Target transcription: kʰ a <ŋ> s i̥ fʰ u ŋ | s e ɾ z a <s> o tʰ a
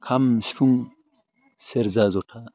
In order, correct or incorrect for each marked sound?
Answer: incorrect: m, incorrect: z

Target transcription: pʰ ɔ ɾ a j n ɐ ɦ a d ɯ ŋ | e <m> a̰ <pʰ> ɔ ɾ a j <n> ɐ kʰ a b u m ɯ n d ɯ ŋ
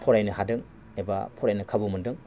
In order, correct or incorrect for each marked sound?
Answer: incorrect: b, correct, correct

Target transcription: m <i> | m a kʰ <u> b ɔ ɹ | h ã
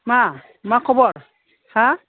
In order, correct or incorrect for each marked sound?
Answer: incorrect: a, incorrect: ɔ

